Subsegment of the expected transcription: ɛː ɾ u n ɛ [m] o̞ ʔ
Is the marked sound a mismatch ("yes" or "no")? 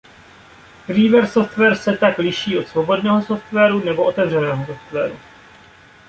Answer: yes